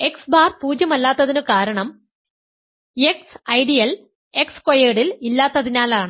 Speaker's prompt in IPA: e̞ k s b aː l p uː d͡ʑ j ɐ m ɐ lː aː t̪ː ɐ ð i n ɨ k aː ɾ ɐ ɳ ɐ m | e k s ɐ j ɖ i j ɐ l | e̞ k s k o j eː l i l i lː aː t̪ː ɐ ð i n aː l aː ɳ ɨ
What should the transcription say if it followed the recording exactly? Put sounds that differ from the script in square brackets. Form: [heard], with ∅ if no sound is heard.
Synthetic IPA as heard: e̞ k s b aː [r] p uː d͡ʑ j ɐ m ɐ lː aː t̪ː ɐ ð i n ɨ k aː ɾ ɐ ɳ ɐ m | e k s ɐ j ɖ i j ɐ l | e̞ k s k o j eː [ɽ] i l i lː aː t̪ː ɐ ð i n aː l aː ɳ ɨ